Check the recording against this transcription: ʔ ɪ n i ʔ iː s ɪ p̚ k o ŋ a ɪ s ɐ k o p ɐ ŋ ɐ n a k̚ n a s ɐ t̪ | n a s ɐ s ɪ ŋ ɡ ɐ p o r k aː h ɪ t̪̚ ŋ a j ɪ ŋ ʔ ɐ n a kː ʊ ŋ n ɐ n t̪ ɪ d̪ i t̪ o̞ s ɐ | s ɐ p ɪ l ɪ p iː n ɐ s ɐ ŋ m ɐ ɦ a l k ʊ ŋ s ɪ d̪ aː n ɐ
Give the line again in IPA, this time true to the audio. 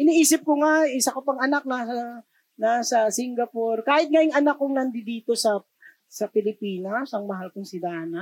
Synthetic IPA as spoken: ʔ ɪ n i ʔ iː s ɪ p̚ k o ŋ a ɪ s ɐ k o p ɐ ŋ ɐ n a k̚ n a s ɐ | n a s ɐ s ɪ ŋ ɡ ɐ p o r k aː h ɪ t̪̚ ŋ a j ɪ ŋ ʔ ɐ n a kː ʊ ŋ n ɐ n d̪ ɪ d̪ iː t̪ o̞ s ɐ | s ɐ p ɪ l ɪ p iː n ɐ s ɐ ŋ m ɐ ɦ a l k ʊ ŋ s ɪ d̪ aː n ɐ